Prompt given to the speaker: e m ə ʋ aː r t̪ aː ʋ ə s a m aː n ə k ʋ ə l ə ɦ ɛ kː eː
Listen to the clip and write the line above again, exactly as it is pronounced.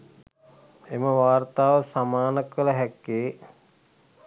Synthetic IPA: e m ə ʋ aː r t̪ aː ʋ ə s a m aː n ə k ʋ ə l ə ɦ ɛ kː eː

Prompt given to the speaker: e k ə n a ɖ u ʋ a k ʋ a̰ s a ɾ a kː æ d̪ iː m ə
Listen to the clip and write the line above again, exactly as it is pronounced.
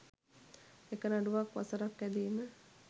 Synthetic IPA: e k ə n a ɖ u ʋ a k ʋ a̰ s ə ɾ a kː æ d̪ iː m ə

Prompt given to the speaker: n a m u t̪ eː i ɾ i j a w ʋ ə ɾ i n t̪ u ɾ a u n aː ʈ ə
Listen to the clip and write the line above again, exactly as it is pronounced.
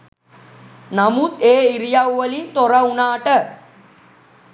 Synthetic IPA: n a m u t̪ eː i ɾ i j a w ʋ ə l i n t̪ o ɾ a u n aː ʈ ə

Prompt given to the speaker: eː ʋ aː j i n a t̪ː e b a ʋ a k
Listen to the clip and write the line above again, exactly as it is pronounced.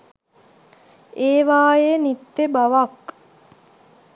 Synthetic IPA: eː ʋ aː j e n i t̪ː e b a ʋ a k

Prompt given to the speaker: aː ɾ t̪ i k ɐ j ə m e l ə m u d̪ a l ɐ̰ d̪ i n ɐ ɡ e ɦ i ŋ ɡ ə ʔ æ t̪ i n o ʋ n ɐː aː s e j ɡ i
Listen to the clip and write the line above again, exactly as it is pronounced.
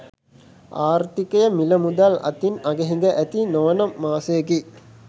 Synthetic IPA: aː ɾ t̪ i k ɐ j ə m i l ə m u d̪ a l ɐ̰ t̪ i n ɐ ɡ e ɦ i ŋ ɡ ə ʔ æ t̪ i n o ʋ n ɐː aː s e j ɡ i

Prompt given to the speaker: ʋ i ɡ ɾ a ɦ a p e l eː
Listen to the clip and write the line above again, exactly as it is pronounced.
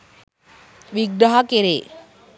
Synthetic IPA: ʋ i ɡ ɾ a ɦ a k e ɾ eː

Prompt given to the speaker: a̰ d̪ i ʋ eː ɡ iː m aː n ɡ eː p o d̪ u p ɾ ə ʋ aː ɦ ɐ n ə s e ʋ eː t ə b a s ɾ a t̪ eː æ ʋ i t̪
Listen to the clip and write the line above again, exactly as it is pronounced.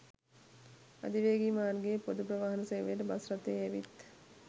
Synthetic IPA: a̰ d̪ i ʋ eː ɡ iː m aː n ɡ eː p o d̪ u p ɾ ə ʋ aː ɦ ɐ n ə s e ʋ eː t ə b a s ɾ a t̪ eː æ ʋ i t̪

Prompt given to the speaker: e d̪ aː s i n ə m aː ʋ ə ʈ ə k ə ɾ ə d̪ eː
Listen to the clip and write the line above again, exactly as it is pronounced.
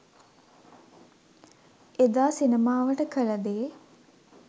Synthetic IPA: e d̪ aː s i n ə m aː ʋ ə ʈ ə k ə l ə d̪ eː

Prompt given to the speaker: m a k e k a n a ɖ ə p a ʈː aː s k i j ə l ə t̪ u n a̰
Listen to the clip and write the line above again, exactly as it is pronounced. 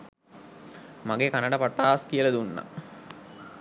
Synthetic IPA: m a ɡ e k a n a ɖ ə p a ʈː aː s k i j ə l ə d̪ u nː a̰

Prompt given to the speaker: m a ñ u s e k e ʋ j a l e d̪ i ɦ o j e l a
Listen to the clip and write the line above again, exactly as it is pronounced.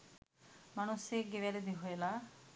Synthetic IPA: m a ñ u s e ɡ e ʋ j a l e d̪ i ɦ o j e l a

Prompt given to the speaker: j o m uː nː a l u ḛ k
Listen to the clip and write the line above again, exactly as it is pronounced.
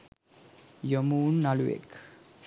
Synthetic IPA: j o m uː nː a l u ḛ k

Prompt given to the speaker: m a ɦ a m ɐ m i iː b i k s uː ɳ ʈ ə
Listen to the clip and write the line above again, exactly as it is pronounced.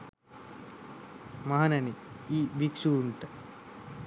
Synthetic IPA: m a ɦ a n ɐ n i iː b i k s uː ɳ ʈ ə

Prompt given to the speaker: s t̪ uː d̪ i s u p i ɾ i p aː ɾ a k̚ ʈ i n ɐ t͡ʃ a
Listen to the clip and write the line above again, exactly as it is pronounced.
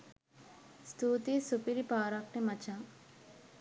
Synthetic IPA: s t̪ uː t̪ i s u p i ɾ i p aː ɾ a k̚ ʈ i m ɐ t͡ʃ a

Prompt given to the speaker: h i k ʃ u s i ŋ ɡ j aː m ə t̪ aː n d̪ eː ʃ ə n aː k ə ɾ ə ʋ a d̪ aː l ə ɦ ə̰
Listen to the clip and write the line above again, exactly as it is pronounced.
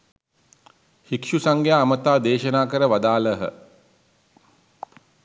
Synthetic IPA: h i k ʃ u s a ŋ ɡ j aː m ə t̪ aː d̪ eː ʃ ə n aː k ə ɾ ə ʋ a d̪ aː l ə ɦ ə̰

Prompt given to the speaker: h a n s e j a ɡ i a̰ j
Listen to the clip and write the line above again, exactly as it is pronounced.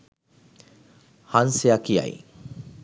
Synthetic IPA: h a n s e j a k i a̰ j

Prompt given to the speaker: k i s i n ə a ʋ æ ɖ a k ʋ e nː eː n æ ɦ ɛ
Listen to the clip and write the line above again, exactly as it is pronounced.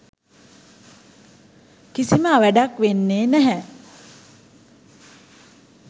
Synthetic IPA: k i s i m ə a ʋ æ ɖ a k ʋ e nː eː n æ ɦ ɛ

